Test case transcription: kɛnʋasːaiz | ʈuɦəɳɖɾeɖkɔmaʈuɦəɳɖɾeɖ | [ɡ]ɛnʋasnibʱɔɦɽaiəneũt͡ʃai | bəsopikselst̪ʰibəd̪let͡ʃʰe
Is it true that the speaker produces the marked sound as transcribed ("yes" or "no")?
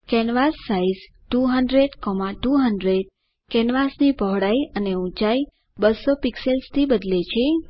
no